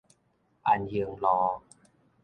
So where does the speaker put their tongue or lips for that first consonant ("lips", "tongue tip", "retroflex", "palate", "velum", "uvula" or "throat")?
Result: throat